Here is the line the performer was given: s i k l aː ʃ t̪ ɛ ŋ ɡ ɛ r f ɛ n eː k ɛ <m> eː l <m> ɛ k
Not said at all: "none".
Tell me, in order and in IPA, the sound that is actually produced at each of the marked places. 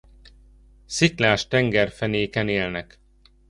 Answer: n, n

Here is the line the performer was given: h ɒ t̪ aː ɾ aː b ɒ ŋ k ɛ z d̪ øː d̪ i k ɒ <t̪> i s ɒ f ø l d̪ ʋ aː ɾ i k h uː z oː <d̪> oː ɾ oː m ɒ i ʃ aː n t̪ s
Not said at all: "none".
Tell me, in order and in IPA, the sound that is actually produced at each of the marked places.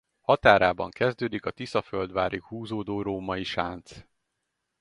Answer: t̪, d̪

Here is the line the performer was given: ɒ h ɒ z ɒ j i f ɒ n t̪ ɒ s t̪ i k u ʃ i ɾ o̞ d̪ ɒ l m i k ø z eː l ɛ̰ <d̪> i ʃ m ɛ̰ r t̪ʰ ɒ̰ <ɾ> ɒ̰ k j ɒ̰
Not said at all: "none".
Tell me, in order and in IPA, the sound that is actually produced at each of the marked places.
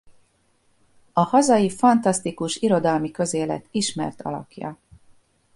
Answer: t̪, l

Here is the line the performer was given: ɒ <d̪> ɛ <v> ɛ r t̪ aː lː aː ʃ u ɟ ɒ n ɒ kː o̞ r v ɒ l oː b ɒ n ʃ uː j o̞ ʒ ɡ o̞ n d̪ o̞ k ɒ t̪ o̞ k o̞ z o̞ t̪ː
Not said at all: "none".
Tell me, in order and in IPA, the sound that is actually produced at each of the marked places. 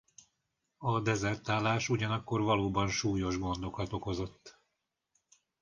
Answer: d̪, z

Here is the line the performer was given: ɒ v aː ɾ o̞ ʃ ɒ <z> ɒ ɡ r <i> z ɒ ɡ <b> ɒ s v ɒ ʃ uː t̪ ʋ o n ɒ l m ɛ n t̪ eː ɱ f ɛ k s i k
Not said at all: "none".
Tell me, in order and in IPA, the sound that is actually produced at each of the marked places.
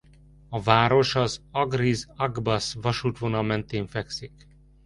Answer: z, i, b

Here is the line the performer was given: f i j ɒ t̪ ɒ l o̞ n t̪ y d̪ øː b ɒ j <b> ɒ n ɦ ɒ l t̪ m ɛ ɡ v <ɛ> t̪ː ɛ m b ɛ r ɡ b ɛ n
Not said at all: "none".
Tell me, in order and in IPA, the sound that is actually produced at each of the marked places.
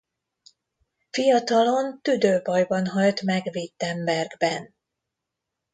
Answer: b, i

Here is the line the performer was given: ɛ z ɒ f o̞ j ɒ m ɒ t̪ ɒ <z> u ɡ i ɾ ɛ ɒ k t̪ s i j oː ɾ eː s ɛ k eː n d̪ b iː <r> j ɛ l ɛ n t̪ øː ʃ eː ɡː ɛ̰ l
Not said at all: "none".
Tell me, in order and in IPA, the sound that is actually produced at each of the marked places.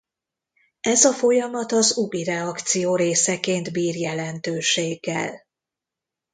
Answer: z, r

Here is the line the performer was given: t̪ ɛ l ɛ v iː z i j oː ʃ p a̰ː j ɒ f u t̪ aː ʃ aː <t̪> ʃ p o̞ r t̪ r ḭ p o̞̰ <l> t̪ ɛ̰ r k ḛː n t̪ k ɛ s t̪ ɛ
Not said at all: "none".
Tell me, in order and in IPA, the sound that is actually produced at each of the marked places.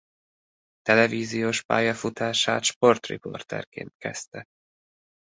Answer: t̪, r

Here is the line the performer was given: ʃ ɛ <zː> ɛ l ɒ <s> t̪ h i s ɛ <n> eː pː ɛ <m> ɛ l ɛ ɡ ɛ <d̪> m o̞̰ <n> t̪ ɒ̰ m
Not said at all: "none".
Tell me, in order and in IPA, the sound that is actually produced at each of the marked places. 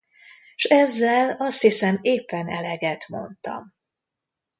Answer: zː, s, m, n, t̪, n

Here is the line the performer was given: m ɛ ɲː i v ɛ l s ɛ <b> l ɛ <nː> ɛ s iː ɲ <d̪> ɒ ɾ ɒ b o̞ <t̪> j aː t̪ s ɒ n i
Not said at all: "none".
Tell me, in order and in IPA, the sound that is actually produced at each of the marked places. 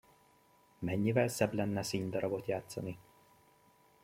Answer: b, nː, d̪, t̪

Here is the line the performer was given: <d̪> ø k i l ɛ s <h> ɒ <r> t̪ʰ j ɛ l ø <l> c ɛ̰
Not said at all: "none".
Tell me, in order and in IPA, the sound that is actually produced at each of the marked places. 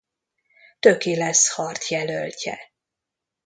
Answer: t̪, h, r, l

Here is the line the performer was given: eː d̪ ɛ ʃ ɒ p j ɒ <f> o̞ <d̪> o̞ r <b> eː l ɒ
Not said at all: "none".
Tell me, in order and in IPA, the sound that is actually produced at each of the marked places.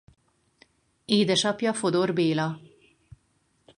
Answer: f, d̪, b

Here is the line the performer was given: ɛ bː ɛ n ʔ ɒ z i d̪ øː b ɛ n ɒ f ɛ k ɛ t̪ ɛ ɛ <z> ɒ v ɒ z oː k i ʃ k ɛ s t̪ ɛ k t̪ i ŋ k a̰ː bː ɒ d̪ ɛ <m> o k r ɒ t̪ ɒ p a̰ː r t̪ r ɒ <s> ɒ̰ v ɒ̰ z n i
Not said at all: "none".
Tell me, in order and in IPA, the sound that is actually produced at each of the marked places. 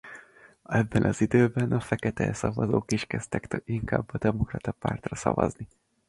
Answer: s, m, s

